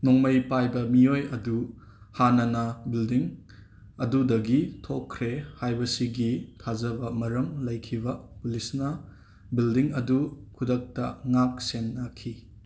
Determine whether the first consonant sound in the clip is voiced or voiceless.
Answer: voiced